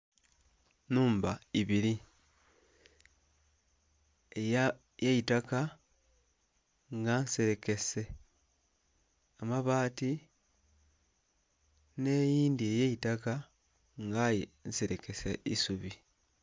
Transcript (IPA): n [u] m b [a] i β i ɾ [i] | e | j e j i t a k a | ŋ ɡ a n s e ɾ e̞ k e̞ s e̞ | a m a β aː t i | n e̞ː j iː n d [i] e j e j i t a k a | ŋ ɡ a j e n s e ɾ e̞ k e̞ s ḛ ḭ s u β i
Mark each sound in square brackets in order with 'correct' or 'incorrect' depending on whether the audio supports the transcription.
incorrect, correct, correct, correct

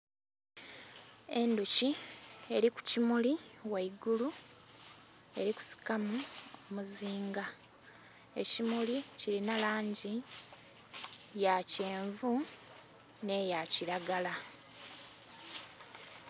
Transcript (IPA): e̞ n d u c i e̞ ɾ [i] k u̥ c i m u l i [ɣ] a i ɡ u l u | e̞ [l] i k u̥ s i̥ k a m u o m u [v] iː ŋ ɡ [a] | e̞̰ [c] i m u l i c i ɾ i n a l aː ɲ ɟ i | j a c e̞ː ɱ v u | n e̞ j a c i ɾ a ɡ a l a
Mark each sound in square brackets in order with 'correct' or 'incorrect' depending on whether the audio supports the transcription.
correct, incorrect, incorrect, incorrect, correct, correct

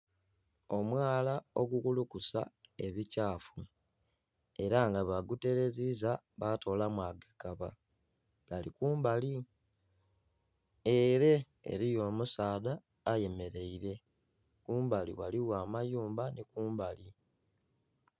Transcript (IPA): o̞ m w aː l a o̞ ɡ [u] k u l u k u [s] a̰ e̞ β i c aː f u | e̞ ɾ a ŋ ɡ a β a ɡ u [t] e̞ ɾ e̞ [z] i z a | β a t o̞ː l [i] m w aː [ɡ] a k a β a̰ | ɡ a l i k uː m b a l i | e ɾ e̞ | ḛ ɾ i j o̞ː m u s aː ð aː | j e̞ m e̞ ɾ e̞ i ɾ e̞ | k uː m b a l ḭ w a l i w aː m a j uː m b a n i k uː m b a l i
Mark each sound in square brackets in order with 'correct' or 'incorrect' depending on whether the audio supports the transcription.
correct, correct, correct, correct, incorrect, correct

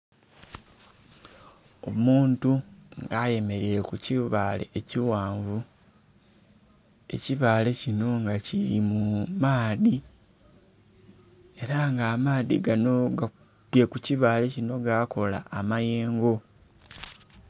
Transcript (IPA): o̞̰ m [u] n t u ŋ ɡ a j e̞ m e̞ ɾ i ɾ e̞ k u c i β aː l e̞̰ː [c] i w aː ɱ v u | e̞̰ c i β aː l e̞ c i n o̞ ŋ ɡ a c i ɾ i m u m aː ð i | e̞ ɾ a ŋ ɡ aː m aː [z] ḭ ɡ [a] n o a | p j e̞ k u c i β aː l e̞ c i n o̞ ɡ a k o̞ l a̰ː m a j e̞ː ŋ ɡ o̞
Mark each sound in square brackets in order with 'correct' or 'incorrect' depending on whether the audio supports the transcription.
incorrect, correct, incorrect, correct

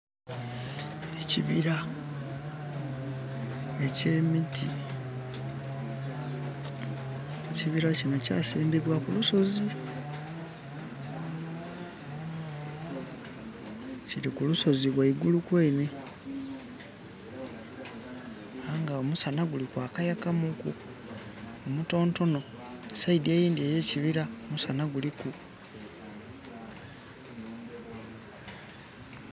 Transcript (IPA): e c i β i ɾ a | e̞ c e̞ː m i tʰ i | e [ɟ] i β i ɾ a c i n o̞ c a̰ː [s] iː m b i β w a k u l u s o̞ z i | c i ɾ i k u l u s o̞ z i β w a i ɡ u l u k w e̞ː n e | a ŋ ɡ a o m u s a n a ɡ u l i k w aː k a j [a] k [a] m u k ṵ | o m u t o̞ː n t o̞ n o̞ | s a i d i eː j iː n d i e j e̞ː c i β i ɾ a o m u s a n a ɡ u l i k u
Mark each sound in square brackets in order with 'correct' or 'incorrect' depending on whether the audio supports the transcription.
incorrect, correct, correct, correct

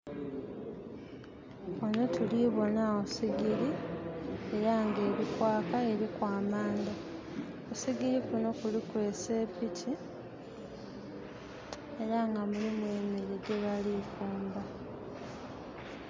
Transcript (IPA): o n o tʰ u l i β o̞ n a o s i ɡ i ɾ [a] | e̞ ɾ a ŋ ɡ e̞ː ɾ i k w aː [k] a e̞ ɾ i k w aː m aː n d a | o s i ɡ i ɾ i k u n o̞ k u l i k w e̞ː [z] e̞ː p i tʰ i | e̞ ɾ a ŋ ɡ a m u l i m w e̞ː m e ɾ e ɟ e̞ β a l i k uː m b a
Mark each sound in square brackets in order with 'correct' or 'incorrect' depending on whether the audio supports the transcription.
incorrect, correct, incorrect

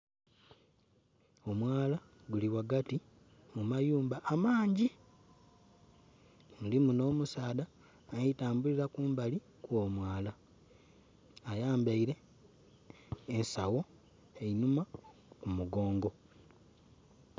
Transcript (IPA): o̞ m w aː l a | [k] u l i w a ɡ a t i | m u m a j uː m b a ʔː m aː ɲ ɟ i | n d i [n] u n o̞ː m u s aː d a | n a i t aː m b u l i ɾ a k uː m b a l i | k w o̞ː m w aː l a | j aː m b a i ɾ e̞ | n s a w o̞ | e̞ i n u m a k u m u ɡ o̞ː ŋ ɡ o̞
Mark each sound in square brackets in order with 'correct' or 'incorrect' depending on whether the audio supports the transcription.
incorrect, incorrect

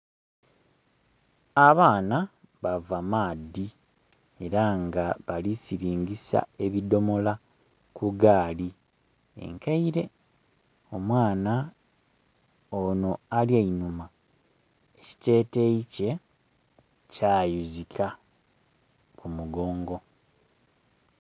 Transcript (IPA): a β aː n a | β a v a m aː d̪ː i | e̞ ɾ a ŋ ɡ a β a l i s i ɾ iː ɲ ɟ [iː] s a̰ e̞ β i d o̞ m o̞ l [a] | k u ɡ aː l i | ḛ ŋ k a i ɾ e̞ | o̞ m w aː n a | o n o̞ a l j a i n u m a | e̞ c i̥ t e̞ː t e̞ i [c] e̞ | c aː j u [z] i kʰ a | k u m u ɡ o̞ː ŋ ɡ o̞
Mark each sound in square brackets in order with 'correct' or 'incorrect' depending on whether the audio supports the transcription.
incorrect, correct, correct, correct

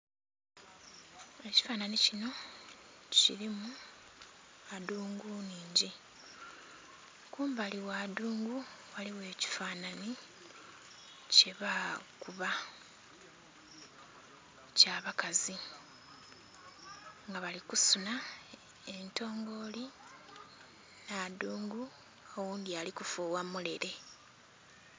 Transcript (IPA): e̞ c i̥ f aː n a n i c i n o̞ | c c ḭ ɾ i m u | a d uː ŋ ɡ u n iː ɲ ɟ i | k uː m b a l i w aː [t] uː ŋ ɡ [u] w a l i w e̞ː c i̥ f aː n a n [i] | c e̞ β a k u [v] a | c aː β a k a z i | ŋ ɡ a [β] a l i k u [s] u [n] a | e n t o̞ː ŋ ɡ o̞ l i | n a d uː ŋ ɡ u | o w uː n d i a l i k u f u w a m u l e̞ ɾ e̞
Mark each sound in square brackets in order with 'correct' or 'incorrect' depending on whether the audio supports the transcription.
incorrect, correct, correct, incorrect, correct, correct, correct

